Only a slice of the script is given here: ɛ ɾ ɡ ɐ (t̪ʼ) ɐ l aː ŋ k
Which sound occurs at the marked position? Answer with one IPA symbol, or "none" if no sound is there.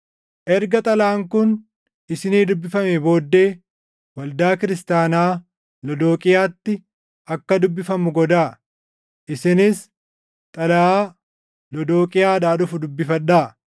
t̪ʼ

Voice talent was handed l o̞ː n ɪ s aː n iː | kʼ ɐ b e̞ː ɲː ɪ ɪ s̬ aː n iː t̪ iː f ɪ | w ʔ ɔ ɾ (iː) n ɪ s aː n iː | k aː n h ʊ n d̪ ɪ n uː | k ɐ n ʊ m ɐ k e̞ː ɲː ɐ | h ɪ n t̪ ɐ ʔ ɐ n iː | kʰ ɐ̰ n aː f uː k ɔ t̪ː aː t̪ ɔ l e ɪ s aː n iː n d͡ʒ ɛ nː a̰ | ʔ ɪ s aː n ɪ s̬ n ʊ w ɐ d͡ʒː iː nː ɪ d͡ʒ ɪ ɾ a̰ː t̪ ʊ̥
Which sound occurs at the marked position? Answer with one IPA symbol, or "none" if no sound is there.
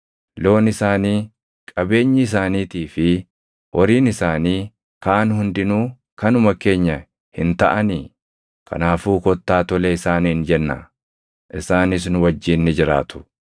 iː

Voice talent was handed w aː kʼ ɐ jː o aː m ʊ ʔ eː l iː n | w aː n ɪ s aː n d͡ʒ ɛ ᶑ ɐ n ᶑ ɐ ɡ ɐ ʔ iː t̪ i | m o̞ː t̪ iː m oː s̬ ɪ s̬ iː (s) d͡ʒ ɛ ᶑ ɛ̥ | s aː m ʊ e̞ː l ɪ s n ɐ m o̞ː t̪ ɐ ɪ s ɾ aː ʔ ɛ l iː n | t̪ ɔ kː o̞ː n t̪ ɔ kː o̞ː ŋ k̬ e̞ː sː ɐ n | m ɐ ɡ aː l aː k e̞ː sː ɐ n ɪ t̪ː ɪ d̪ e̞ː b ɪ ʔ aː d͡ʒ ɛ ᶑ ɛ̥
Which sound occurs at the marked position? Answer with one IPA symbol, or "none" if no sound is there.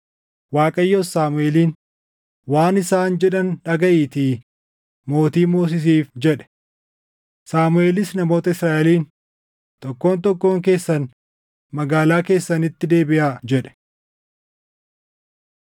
f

